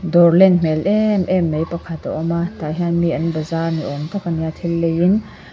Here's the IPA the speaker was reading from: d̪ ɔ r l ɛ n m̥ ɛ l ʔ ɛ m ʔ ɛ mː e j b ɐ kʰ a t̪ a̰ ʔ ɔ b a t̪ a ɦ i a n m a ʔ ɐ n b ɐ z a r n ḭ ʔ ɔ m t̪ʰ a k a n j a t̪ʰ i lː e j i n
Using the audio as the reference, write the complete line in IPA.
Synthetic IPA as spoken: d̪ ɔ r l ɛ n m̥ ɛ l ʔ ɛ m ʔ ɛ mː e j p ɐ kʰ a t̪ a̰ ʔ ɔ m a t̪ a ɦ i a n m i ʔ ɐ n b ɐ z a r n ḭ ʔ ɔ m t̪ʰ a k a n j a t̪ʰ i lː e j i n

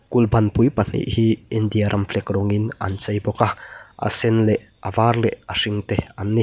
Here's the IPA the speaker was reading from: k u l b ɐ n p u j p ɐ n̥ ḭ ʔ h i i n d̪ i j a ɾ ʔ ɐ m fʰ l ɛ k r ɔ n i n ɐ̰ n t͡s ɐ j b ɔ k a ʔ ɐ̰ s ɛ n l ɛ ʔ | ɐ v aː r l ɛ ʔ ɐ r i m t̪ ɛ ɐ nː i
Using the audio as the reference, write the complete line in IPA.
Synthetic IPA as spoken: k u l b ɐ n p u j p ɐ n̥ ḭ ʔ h i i n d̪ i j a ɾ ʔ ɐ m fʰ l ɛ k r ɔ ŋ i n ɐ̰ n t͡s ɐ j b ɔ k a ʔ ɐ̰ s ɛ n l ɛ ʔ | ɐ v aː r l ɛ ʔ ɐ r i ŋ t̪ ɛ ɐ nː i

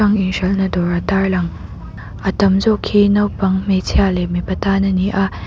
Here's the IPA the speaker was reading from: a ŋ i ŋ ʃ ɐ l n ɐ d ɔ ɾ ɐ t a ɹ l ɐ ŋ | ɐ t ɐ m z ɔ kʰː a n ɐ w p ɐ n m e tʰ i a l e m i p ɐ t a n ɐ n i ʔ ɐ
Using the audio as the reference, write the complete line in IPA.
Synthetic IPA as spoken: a ŋ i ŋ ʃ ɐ l n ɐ d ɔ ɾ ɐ t a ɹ l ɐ ŋ | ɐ t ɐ m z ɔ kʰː i n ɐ w p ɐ ŋ m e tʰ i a l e m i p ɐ t a n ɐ n i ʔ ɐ

